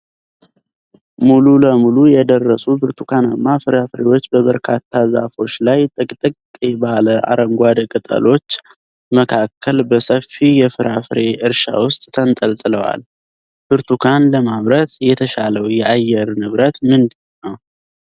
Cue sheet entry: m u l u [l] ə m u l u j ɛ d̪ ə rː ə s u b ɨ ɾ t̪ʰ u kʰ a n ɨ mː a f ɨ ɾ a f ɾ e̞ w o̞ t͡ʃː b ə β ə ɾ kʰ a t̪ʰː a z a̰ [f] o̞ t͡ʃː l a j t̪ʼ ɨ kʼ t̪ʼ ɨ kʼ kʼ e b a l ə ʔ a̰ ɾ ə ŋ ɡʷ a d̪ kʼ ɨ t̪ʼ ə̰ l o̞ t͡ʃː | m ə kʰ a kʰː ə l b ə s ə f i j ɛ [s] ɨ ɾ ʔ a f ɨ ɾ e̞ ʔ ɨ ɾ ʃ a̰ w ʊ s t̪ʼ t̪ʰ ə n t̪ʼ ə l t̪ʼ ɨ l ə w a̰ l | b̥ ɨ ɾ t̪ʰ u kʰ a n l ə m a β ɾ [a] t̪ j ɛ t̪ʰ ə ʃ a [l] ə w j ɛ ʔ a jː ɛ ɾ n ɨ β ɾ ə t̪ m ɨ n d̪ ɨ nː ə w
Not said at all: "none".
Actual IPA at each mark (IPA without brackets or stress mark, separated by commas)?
l, f, f, ə, l